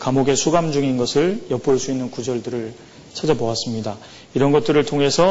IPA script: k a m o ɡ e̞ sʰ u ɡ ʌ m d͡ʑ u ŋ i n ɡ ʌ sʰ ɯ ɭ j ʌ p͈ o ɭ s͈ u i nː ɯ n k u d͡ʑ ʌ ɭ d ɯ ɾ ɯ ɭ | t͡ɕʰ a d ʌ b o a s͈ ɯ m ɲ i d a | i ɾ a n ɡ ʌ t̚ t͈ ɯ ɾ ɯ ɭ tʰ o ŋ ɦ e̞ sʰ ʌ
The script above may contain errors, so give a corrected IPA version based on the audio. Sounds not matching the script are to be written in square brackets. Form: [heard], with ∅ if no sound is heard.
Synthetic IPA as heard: k a m o ɡ e̞ sʰ u ɡ [a] m d͡ʑ u ŋ i n ɡ ʌ sʰ ɯ ɭ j ʌ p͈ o ɭ s͈ u i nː ɯ n k u d͡ʑ ʌ ɭ d ɯ ɾ ɯ ɭ | t͡ɕʰ a [d͡ʑ] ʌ b o a s͈ ɯ m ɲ i d a | i ɾ [ʌ] n ɡ ʌ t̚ t͈ ɯ ɾ ɯ ɭ tʰ o ŋ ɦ e̞ sʰ ʌ